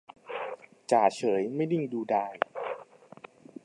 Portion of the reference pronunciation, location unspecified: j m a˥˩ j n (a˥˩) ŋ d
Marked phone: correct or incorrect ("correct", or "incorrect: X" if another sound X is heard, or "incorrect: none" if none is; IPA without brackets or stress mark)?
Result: incorrect: i˥˩